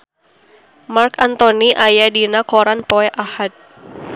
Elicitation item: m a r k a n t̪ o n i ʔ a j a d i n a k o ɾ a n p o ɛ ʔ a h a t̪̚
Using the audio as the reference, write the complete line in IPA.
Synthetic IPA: m a r k a n t̪ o n i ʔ a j a d i n a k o ɾ a n p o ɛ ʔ a h a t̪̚